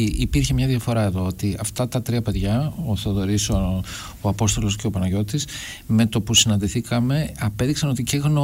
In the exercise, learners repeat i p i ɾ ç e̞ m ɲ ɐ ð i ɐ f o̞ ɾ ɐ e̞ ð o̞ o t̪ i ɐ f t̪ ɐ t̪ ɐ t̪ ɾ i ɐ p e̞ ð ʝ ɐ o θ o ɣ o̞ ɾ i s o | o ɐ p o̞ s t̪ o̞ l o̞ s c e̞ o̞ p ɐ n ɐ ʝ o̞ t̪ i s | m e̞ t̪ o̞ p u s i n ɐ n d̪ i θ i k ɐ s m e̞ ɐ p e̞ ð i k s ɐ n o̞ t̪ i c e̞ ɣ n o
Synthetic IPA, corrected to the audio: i p i ɾ ç e̞ m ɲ ɐ ð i ɐ f o̞ ɾ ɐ e̞ ð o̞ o t̪ i ɐ f t̪ ɐ t̪ ɐ t̪ ɾ i ɐ p e̞ ð ʝ ɐ o θ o ð o̞ ɾ i s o | o ɐ p o̞ s t̪ o̞ l o̞ s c e̞ o̞ p ɐ n ɐ ʝ o̞ t̪ i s | m e̞ t̪ o̞ p u s i n ɐ n d̪ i θ i k ɐ m e̞ ɐ p e̞ ð i k s ɐ n o̞ t̪ i c e̞ ɣ n o